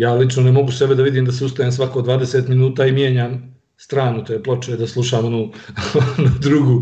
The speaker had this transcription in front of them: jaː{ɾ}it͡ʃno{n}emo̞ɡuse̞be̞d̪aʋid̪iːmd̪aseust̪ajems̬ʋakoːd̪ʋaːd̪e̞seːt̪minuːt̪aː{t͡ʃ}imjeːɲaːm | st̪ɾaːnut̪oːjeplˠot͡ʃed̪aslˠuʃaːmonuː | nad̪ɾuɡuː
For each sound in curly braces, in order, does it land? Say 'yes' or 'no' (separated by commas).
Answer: no, yes, no